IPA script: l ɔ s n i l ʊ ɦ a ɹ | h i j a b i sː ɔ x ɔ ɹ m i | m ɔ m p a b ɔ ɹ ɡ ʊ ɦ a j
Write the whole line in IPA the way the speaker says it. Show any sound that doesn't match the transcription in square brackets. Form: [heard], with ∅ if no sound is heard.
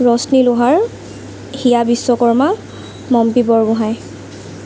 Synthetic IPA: [ɹ] ɔ s n i l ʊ ɦ a ɹ | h i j a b i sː ɔ [k] ɔ ɹ m [a] | m ɔ m p [i] b ɔ ɹ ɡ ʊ ɦ a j